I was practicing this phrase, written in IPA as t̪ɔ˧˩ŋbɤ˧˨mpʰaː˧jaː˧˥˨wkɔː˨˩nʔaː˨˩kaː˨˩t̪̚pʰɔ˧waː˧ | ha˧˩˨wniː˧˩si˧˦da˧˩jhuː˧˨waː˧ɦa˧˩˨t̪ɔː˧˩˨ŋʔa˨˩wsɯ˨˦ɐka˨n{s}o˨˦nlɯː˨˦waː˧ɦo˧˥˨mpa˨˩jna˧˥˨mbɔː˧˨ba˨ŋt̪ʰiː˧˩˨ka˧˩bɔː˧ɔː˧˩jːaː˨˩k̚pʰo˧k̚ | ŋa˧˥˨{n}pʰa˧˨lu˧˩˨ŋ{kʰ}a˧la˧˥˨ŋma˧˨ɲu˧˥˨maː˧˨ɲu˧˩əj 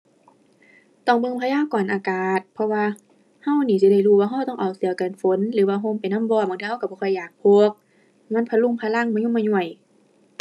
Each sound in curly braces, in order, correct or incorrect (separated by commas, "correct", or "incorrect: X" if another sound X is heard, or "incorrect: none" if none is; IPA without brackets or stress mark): incorrect: f, correct, incorrect: pʰ